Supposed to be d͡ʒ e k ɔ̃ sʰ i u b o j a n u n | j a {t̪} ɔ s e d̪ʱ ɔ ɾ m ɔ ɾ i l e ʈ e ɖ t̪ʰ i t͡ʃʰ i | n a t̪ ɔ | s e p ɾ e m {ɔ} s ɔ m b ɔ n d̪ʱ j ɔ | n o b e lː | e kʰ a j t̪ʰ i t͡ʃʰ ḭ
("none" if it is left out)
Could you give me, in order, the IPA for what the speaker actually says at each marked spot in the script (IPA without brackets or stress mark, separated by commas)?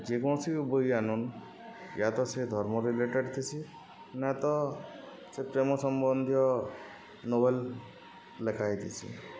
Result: t̪, ɔ